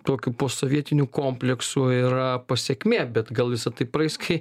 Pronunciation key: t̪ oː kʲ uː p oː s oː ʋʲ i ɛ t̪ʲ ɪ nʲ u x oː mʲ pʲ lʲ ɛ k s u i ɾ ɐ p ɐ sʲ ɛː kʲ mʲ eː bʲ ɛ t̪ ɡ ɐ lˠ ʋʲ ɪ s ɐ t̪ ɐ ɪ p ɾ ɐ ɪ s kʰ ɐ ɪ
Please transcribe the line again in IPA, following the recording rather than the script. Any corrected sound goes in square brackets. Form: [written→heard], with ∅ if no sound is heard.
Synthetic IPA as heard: t̪ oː kʲ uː p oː s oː ʋʲ i ɛ t̪ʲ ɪ nʲ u [x→k] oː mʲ pʲ lʲ ɛ k s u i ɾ ɐ p ɐ sʲ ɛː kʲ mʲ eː bʲ ɛ t̪ ɡ ɐ lˠ ʋʲ ɪ s ɐ t̪ ɐ ɪ p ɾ ɐ ɪ s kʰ ɐ ɪ